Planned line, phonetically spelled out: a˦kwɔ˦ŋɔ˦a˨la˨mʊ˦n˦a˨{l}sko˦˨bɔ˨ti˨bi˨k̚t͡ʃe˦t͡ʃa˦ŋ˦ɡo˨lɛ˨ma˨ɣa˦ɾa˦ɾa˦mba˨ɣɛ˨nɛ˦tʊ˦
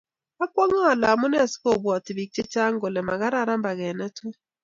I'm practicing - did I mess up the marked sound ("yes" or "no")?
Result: yes